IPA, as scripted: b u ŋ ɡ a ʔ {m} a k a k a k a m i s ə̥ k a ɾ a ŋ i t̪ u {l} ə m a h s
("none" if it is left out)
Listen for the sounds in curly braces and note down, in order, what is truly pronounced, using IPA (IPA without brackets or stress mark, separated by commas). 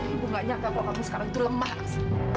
ɲ, l